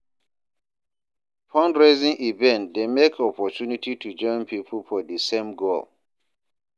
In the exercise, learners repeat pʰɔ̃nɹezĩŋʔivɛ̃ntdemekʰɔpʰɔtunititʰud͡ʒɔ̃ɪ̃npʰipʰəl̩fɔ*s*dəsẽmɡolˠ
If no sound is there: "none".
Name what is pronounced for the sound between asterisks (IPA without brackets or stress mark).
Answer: none